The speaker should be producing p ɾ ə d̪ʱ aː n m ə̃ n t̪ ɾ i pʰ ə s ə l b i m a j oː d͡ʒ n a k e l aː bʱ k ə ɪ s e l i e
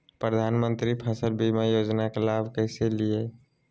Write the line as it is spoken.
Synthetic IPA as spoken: p ɾ ə d̪ʱ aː n m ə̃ n t̪ ɾ i pʰ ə s ə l b i m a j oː d͡ʒ n a k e l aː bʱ k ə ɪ s e l i e